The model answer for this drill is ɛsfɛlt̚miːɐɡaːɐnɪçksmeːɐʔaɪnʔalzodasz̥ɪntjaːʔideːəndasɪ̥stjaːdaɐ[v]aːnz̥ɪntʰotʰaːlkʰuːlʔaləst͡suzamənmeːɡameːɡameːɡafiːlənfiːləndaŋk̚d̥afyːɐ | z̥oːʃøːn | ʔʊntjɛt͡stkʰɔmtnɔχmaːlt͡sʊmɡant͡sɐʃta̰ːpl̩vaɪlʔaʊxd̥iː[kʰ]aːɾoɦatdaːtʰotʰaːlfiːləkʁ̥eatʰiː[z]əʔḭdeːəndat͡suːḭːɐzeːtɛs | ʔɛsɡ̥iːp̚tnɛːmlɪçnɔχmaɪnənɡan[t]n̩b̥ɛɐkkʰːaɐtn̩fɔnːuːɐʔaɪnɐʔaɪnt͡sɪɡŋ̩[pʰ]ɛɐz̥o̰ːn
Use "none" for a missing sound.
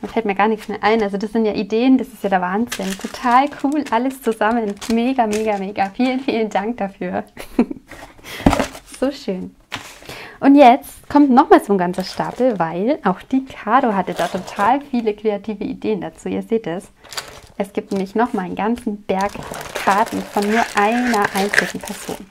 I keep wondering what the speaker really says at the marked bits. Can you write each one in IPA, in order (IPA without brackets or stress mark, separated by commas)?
v, kʰ, v, t͡s, pʰ